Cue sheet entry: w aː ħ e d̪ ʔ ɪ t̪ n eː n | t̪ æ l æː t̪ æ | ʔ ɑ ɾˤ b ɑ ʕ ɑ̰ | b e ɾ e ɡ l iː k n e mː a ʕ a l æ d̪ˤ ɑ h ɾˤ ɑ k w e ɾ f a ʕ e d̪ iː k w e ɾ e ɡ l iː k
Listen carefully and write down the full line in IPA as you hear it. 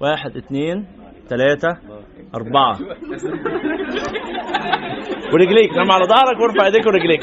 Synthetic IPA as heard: w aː ħ e d̪ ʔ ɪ t̪ n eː n | t̪ æ l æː t̪ æ | ʔ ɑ ɾˤ b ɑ ʕ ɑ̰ | w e ɾ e ɡ l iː k n æ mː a ʕ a l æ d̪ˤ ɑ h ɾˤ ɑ k w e ɾ f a ʕ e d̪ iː k w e ɾ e ɡ l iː k